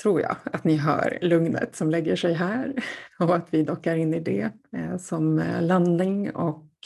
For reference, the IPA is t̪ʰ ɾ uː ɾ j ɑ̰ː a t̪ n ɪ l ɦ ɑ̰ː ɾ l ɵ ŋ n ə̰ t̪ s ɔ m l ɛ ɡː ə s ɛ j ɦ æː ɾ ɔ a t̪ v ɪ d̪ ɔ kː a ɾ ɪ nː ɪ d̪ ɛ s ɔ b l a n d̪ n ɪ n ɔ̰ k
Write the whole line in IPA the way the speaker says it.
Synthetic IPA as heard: t̪ʰ ɾ uː ɾ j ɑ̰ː a t̪ n ɪ ɦ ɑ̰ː ɾ l ɵ ŋ n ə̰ t̪ s ɔ m l ɛ ɡː ə ʂ ɛ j ɦ æː ɾ ɔ a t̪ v ɪ d̪ ɔ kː a ɾ ɪ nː ɪ d̪ ɛ s ɔ m l a n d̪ n ɪ ŋ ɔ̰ k